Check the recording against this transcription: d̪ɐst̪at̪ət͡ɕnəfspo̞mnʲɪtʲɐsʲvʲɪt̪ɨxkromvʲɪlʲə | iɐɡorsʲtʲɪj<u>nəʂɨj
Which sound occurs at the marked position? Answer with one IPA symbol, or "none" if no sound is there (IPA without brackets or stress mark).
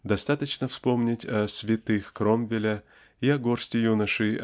u